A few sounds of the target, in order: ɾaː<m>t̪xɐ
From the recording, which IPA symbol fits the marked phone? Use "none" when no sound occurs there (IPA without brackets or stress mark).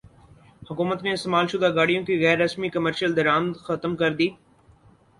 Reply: m